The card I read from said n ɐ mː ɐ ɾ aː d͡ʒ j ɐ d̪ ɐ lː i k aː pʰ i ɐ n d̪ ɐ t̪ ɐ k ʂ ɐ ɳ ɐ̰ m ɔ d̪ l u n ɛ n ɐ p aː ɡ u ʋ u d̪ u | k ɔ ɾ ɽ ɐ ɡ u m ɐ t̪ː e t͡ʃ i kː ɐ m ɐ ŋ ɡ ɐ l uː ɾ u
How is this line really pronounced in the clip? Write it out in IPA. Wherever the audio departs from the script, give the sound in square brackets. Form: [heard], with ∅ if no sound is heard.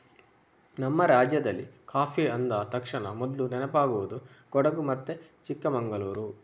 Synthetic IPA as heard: n ɐ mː ɐ ɾ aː d͡ʒ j ɐ d̪ ɐ lː i k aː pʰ i ɐ n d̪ ɐ t̪ ɐ k ʂ ɐ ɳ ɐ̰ m ɔ d̪ l u n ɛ n ɐ p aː ɡ u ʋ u d̪ u | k ɔ [∅] ɽ ɐ ɡ u m ɐ t̪ː e t͡ʃ i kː ɐ m ɐ ŋ ɡ ɐ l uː ɾ u